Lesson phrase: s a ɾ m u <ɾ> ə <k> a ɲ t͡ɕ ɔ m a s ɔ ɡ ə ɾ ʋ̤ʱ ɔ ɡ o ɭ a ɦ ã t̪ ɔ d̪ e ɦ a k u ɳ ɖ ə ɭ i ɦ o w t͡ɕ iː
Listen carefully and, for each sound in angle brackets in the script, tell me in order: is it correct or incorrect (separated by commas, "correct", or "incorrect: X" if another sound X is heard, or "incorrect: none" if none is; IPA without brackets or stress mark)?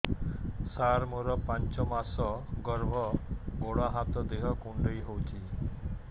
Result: correct, incorrect: p